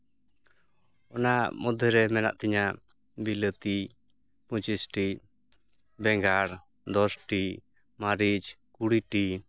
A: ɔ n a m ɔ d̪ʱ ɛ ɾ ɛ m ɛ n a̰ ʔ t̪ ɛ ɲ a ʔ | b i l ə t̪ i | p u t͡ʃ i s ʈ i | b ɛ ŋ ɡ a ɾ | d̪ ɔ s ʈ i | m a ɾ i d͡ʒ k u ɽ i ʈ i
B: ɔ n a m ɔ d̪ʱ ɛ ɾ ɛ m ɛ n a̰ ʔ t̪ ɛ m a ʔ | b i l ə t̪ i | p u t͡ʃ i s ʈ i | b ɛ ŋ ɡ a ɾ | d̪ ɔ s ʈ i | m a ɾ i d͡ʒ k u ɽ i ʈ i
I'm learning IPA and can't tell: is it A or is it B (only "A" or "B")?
A